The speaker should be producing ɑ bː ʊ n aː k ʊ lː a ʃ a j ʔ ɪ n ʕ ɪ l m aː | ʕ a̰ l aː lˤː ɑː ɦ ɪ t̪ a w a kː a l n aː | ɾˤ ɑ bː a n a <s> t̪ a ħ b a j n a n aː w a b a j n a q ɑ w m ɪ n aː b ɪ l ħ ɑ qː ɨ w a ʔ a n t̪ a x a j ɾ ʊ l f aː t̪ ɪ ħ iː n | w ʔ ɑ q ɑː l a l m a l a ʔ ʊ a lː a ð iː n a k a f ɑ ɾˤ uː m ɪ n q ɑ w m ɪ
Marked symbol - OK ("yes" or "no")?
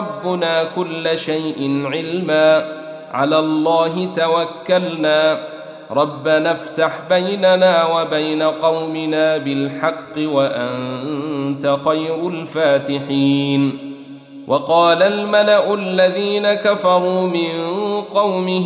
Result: no